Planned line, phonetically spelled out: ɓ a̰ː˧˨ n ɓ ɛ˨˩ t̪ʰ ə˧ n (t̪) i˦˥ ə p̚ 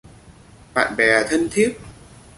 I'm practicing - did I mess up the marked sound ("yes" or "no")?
yes